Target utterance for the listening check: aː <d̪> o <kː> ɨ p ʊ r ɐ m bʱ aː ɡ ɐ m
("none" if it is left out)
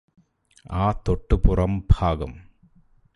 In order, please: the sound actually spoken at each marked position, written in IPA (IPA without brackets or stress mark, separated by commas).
t̪, ʈː